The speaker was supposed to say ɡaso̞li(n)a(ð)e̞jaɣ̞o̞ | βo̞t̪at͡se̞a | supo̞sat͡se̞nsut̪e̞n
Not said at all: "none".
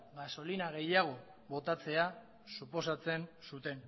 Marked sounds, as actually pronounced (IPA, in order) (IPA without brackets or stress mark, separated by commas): n, ɣ